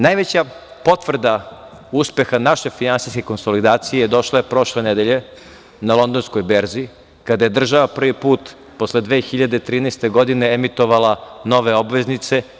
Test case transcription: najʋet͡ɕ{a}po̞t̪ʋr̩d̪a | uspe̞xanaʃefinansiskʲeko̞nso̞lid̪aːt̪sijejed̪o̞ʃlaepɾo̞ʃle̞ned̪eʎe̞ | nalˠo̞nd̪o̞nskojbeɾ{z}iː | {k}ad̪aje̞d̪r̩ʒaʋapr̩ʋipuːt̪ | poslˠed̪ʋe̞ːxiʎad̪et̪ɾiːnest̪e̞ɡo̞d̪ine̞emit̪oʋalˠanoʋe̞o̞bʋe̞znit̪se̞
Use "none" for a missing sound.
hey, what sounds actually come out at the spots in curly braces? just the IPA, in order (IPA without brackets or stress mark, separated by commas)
a, z, k